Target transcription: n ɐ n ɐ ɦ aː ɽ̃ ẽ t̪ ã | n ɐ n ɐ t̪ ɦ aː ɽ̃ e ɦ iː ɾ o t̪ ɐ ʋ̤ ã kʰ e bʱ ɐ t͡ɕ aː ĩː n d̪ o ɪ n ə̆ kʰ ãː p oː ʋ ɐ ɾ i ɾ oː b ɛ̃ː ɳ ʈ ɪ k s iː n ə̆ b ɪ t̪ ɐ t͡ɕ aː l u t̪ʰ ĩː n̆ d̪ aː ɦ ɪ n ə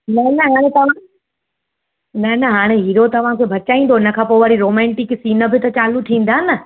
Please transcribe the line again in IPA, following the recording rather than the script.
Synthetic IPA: n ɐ n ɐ ɦ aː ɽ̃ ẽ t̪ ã | n ɐ n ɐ ɦ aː ɽ̃ e ɦ iː ɾ o t̪ ɐ ʋ̤ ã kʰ e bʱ ɐ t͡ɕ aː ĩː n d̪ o ɪ n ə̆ kʰ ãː p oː ʋ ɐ ɾ i ɾ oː m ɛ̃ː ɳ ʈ ɪ k s iː n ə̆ b ɪ t̪ ɐ t͡ɕ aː l u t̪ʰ ĩː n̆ d̪ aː ɦ ɪ n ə